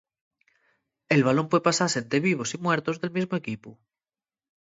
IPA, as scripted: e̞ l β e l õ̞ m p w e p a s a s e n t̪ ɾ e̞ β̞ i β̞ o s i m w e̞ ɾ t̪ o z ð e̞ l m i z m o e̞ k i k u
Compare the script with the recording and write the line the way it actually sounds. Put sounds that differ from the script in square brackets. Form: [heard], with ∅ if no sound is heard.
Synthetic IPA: e̞ l β [a] l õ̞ m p w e p a s a s e n t̪ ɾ e̞ β̞ i β̞ o s i m w e̞ ɾ t̪ o z ð e̞ l m i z m o e̞ k i [p] u

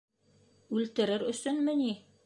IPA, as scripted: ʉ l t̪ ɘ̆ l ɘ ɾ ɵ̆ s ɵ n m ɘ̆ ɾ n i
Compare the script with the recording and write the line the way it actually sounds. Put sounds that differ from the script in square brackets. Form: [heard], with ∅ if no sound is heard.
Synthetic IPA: ʉ l t̪ ɘ̆ [ɾ] ɘ ɾ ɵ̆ s ɵ n m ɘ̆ [∅] n i

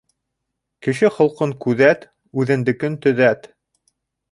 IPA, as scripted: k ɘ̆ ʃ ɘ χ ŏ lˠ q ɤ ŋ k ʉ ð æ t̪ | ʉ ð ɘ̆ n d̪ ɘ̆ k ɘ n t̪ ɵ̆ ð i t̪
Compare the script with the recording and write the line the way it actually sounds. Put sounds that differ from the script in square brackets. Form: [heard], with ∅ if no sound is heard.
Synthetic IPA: k ɘ̆ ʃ ɘ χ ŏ lˠ q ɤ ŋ k ʉ ð æ t̪ | ʉ ð ɘ̆ n d̪ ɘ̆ k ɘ n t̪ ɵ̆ ð [æ] t̪

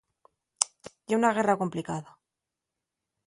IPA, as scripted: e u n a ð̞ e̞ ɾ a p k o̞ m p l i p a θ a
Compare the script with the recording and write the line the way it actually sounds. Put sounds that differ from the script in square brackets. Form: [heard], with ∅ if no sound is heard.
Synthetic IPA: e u n a [ɣ̞] e̞ [r] a [∅] k o̞ m p l i [k] a [ð] a

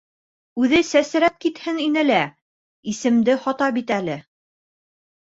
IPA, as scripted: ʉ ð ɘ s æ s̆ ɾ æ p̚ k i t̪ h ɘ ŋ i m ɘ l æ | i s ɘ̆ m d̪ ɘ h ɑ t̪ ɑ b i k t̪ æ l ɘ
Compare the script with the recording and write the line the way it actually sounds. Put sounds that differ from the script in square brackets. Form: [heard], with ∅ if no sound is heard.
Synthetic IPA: ʉ ð ɘ s æ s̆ ɾ æ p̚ k i t̪ h ɘ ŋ i [n] ɘ l æ | i s ɘ̆ m d̪ ɘ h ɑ t̪ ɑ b i [∅] t̪ æ l ɘ

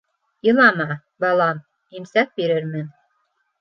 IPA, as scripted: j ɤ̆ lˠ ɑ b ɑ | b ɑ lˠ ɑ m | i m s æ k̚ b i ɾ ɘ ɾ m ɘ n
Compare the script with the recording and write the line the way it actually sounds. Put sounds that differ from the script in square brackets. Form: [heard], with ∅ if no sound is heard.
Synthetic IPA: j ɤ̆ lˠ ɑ [m] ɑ | b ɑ lˠ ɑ m | i m s æ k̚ b i ɾ ɘ ɾ m ɘ n

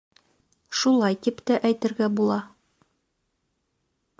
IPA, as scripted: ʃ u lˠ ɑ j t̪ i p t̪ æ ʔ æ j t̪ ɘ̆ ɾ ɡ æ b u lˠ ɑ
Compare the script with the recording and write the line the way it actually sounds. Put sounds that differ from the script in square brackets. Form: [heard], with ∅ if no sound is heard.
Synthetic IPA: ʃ u lˠ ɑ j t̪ i p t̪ æ ʔ æ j t̪ ɘ̆ ɾ ɡ æ b u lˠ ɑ

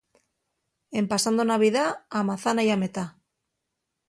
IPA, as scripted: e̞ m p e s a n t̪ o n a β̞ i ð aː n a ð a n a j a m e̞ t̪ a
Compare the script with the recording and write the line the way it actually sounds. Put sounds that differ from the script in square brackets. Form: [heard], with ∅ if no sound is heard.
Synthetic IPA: e̞ m p [a] s a n [d̪] o n a β̞ i ð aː [m] a [θ] a n a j a m e̞ t̪ a

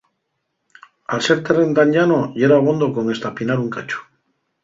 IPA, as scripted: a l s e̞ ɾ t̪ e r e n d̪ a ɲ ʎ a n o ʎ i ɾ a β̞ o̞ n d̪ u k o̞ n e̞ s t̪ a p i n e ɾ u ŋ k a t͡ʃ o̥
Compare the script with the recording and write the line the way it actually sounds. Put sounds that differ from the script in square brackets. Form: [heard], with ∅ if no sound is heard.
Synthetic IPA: a l s e̞ ɾ t̪ e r e n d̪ a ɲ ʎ a n o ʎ [e] ɾ a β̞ o̞ n d̪ [o] k o̞ [ŋ] e̞ s t̪ a p i n [a] ɾ u ŋ k a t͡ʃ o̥

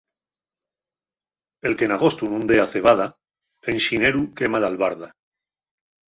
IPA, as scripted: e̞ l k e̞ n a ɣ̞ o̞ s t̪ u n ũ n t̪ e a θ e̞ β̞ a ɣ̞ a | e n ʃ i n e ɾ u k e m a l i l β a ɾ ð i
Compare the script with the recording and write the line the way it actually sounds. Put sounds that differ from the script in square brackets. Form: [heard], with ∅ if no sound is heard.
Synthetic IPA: e̞ l k e̞ n a ɣ̞ o̞ s t̪ u n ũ n [d̪] e a θ e̞ β̞ a [ð̞] a | e n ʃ i n e ɾ u k e m a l [a] l β a ɾ ð [a]

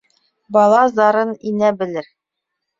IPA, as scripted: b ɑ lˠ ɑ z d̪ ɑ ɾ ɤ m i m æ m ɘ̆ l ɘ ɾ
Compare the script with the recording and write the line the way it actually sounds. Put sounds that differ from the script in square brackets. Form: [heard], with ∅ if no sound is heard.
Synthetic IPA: b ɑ lˠ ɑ z d̪ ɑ ɾ ɤ [n] i [n] æ [b] ɘ̆ l ɘ ɾ

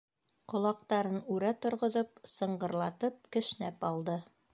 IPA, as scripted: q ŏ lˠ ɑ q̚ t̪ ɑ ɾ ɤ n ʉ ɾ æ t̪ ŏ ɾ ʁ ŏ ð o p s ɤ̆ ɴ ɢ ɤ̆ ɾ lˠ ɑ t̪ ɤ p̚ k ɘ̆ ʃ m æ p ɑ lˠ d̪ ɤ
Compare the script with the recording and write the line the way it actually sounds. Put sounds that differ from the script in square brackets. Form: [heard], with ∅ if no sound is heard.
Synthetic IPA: q ŏ lˠ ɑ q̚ t̪ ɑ ɾ ɤ n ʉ ɾ æ t̪ ŏ ɾ ʁ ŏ ð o p s ɤ̆ ɴ ɢ ɤ̆ ɾ lˠ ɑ t̪ ɤ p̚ k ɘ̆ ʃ [n] æ p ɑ lˠ d̪ ɤ

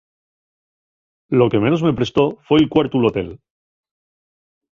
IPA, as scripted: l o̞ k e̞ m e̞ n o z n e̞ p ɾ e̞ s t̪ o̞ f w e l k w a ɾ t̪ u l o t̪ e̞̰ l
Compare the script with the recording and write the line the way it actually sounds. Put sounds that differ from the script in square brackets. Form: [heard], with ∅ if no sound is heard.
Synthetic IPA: l o̞ k e̞ m e̞ n o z [m] e̞ p ɾ e̞ s t̪ o̞ f w e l k w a ɾ t̪ u l o t̪ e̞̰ l

